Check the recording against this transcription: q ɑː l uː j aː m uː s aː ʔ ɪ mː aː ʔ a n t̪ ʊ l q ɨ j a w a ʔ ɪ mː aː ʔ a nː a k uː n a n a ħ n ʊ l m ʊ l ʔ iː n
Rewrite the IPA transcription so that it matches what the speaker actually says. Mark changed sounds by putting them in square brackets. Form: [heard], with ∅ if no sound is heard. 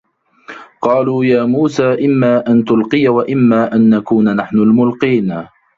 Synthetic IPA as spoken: q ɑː l uː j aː m uː s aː ʔ ɪ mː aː ʔ a n t̪ ʊ l q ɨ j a w a ʔ ɪ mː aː ʔ a nː a k uː n a n a ħ n ʊ l m ʊ l [q] iː n